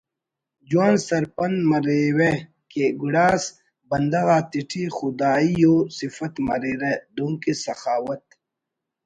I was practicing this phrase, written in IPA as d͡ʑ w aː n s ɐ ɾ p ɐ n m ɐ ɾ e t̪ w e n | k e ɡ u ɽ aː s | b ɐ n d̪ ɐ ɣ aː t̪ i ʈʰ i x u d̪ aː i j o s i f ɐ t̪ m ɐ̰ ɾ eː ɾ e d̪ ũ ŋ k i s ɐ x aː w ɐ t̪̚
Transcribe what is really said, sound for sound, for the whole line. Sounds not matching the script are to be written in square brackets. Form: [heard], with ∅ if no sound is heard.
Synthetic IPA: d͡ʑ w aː n s ɐ ɾ p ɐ n m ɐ ɾ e [∅] w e [∅] | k e ɡ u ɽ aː s | b ɐ n d̪ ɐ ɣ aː t̪ i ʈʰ i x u d̪ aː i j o s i f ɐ t̪ m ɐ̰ ɾ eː ɾ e d̪ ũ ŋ k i s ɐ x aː w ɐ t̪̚